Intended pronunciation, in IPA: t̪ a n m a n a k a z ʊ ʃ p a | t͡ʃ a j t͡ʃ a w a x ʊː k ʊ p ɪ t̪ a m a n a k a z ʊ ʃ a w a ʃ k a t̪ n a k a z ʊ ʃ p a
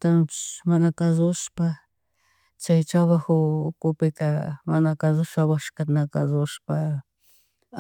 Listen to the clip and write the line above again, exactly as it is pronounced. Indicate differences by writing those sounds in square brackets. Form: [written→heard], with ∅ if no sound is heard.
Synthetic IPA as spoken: t̪ a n m a n a k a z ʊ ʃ p a | t͡ʃ a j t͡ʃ a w a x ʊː k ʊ p ɪ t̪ a m a n a k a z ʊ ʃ a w a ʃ k a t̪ n a k a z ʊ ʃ p a